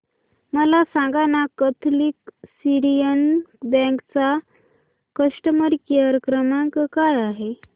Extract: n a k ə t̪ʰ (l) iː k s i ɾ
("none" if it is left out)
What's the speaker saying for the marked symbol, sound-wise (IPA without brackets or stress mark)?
l